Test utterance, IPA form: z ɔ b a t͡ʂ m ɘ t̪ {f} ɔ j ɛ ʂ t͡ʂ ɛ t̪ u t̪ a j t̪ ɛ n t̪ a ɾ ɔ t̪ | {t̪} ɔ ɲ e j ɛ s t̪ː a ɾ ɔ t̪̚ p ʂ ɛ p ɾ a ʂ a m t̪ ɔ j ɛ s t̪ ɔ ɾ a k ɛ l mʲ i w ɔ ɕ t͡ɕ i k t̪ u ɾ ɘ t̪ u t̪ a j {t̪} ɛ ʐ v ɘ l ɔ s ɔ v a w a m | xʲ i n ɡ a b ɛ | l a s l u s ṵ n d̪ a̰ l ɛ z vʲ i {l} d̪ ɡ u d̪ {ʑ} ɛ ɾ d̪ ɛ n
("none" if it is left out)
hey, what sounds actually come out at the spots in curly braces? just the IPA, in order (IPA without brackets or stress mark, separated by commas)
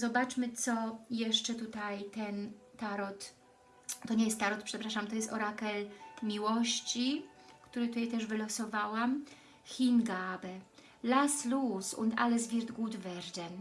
s, t̪, t̪, ɾ, v